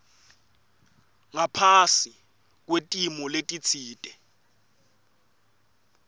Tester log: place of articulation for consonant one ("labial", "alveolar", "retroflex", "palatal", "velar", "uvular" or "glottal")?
velar